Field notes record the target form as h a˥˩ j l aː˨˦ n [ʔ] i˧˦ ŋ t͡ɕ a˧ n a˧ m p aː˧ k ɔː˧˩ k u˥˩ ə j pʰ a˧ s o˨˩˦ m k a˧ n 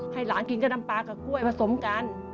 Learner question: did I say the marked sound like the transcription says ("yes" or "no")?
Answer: no